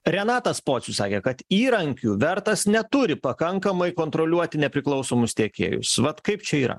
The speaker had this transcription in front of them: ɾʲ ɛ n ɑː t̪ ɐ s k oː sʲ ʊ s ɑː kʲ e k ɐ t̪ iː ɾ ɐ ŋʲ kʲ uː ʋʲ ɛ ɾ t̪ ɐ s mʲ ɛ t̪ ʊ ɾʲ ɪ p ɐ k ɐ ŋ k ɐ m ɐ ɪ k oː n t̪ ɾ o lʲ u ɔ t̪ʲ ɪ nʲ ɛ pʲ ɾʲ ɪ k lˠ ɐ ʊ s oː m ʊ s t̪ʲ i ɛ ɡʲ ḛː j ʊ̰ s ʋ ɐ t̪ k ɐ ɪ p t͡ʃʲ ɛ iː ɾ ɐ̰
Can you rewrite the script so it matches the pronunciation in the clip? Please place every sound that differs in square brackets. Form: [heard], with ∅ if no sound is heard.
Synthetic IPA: ɾʲ ɛ n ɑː t̪ ɐ s [p] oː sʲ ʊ s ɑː kʲ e k ɐ t̪ iː ɾ ɐ ŋʲ kʲ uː ʋʲ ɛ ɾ t̪ ɐ s [nʲ] ɛ t̪ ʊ ɾʲ ɪ p ɐ k ɐ ŋ k ɐ m ɐ ɪ k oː n t̪ ɾ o lʲ u ɔ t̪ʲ ɪ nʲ ɛ pʲ ɾʲ ɪ k lˠ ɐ ʊ s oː m ʊ s t̪ʲ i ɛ [kʲ] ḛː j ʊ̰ s ʋ ɐ t̪ k ɐ ɪ p t͡ʃʲ ɛ iː ɾ ɐ̰